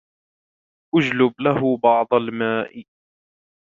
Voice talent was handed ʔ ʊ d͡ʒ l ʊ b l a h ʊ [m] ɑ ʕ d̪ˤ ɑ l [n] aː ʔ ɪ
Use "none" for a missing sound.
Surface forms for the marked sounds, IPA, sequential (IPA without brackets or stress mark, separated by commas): b, m